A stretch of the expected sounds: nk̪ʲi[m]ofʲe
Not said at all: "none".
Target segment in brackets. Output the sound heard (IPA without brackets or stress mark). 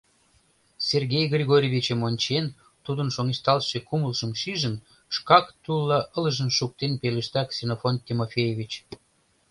m